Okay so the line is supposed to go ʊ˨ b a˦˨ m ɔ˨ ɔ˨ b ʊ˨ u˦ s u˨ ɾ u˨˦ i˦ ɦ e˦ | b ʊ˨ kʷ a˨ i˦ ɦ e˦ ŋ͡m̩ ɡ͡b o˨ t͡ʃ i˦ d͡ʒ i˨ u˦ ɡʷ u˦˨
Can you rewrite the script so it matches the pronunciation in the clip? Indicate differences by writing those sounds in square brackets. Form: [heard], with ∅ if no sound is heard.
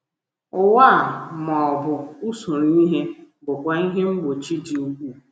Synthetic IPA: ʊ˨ [w] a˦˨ m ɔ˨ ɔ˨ b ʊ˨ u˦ s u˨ ɾ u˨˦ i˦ ɦ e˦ | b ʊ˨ kʷ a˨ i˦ ɦ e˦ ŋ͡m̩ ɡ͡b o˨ t͡ʃ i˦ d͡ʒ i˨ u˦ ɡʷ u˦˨